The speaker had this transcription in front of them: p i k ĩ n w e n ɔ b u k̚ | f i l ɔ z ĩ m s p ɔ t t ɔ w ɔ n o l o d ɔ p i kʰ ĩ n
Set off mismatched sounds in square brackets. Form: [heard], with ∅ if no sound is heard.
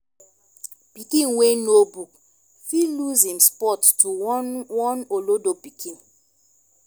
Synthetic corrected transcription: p i k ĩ n w e n [o] b u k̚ | f i l [u] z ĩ m s p ɔ t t [u] w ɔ n o l o d [o] p i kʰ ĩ n

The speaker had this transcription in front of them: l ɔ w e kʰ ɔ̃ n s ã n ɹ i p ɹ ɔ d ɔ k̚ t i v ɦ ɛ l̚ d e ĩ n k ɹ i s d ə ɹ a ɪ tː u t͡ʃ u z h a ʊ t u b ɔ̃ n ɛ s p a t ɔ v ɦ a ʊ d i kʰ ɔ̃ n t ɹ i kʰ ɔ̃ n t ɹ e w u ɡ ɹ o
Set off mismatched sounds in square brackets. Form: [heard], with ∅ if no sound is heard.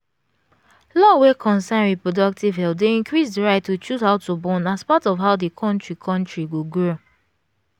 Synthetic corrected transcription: l ɔ w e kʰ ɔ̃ n s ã n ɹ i p ɹ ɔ d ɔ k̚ t i v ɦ ɛ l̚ d e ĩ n k ɹ i s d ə ɹ a ɪ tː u t͡ʃ u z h a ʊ t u b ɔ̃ n [a] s p a t ɔ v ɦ a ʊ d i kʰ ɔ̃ n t ɹ i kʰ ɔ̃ n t ɹ [i] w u ɡ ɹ o

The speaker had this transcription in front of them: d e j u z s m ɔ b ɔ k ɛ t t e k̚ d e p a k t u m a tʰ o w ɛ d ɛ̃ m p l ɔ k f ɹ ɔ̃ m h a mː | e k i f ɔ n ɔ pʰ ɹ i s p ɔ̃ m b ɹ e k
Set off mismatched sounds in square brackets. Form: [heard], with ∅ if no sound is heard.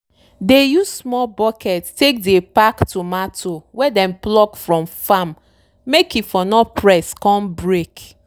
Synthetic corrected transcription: d e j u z s m ɔ b ɔ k ɛ t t e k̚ d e p a k t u m a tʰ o w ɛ d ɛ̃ m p l ɔ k f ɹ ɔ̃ m [f] a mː | e k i f ɔ n ɔ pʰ ɹ [ɛ] s [k] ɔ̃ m b ɹ e k

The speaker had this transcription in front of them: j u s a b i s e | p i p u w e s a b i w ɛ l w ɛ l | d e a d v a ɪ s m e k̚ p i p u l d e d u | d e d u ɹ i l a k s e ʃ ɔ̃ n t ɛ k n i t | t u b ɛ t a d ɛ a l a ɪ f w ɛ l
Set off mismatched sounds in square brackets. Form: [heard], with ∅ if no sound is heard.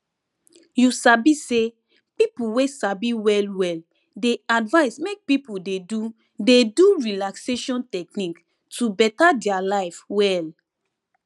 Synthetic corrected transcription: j u s a b i s e | p i p u w e s a b i w ɛ l w ɛ l | d e a d v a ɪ s m e k̚ p i p u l d e d u | d e d u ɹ i l a k s e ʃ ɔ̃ n t ɛ k n i [k] | t u b ɛ t a d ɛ a l a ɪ f w ɛ l

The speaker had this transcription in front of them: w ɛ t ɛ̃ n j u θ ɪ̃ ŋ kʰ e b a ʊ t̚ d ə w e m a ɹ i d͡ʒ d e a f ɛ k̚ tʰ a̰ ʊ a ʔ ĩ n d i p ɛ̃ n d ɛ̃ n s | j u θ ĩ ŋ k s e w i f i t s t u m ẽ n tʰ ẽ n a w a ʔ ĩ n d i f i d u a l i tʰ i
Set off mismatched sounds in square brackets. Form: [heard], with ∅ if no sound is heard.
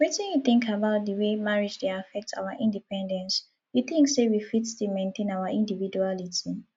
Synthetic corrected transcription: w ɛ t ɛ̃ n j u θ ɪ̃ ŋ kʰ [a] b a ʊ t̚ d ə w e m a ɹ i d͡ʒ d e a f ɛ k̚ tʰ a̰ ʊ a ʔ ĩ n d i p ɛ̃ n d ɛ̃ n s | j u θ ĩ ŋ k s e w i f i t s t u m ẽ n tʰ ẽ n a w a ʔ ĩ n d i [v] i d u a l i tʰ i

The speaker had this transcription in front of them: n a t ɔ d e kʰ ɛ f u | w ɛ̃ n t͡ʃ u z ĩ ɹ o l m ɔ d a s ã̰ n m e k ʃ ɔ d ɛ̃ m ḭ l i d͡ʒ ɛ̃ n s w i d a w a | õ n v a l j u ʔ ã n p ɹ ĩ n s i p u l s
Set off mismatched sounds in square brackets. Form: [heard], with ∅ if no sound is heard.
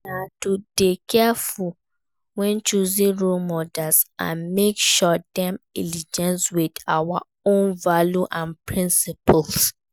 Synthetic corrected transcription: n a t [u] d e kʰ ɛ f u | w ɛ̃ n t͡ʃ u z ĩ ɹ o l m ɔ d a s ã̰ n m e k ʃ ɔ d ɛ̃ m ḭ l i d͡ʒ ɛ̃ n s w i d a w a | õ n v a l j u ʔ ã n p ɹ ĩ n s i p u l s

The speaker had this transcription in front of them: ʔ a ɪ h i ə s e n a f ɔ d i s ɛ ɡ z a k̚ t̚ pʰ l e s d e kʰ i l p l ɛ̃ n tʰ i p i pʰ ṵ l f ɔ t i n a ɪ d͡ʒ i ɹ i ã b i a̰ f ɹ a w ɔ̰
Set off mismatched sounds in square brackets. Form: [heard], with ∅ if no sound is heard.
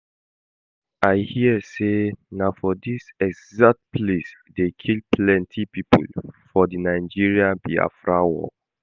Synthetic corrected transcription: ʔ a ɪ h i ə s e n a f ɔ d i s ɛ ɡ z a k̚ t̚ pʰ l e s d e kʰ i l p l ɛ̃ n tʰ i p i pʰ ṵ l f ɔ [d] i n a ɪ d͡ʒ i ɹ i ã b i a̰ f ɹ a w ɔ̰

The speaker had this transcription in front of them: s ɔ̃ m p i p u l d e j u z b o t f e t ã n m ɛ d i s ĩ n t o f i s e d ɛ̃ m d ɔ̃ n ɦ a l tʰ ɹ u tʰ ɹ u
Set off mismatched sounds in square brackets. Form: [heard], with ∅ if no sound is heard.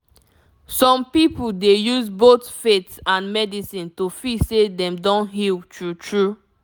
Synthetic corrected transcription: s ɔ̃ m p i p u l d e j u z b o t f e t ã n m ɛ d i s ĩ n t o f i s e d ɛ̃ m d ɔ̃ n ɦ [i] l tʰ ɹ u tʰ ɹ u

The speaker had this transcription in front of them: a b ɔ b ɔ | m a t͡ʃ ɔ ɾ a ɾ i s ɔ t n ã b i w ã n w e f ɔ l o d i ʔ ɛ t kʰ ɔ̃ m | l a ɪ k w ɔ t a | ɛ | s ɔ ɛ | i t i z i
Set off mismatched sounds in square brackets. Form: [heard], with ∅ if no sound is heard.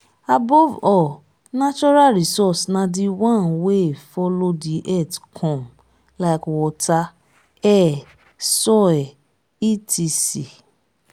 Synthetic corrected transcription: a b ɔ [v] ɔ | [n] a t͡ʃ ɔ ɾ a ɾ i s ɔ [s] n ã [d] i w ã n w e f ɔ l o d i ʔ ɛ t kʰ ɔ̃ m | l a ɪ k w ɔ t a | ɛ | s ɔ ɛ | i t i [s] i

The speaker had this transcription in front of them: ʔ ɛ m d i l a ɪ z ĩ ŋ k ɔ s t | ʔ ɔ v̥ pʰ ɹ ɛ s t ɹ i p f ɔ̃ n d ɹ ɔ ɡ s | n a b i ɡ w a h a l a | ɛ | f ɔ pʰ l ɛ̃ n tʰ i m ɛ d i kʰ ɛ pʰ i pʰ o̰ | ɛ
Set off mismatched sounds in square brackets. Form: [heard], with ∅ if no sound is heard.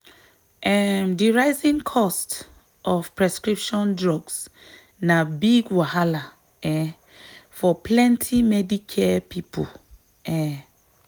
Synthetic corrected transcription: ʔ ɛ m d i [ɹ] a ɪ z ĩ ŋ [kʰ] ɔ s t | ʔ ɔ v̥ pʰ ɹ ɛ s [k] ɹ i p [ʃ] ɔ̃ n d ɹ ɔ ɡ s | n a b i ɡ w a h a l a | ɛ | f ɔ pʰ l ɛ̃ n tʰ i m ɛ d i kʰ ɛ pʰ i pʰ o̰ | ɛ

